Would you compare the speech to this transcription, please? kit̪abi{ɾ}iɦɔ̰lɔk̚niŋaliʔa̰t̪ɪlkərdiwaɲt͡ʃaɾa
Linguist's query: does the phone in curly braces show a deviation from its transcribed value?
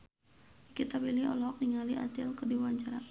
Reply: yes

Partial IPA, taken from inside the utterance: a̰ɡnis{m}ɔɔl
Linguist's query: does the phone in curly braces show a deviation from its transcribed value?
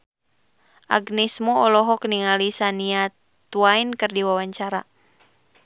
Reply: no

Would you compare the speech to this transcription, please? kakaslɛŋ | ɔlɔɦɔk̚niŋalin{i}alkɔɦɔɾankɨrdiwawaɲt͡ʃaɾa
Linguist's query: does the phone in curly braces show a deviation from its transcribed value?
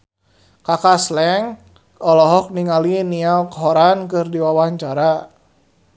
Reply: no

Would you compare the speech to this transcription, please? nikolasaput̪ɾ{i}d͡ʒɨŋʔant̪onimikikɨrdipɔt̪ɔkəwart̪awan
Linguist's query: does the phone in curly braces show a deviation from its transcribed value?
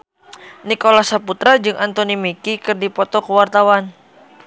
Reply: yes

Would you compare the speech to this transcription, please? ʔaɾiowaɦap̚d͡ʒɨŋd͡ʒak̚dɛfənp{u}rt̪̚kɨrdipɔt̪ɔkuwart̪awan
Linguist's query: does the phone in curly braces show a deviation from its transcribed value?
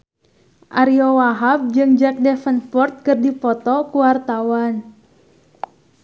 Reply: yes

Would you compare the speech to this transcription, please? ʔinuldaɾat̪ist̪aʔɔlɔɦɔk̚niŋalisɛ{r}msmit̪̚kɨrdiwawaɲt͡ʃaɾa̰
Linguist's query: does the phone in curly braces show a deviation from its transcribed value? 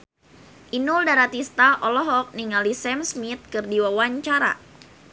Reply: yes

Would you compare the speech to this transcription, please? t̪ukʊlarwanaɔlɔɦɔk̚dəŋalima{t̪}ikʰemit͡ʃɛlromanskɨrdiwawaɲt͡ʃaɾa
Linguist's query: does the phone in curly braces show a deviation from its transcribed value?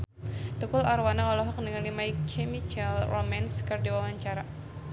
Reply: yes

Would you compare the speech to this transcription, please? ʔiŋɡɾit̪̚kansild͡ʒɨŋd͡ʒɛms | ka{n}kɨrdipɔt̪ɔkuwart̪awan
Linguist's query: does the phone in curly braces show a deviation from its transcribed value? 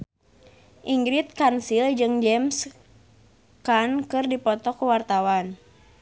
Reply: no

